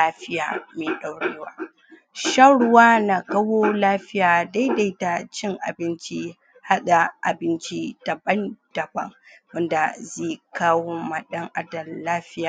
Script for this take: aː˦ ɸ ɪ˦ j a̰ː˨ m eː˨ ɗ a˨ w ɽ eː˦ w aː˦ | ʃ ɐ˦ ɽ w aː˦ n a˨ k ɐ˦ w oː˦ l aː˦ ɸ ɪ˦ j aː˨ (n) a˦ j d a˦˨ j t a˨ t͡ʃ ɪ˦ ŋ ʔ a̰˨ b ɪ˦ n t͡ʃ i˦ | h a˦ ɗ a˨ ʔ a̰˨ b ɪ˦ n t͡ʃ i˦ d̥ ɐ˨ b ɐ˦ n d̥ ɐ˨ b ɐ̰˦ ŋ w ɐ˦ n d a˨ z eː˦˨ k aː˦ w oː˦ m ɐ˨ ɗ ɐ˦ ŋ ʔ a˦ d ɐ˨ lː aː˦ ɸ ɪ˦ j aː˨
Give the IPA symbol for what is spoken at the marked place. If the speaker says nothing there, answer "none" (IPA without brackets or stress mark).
d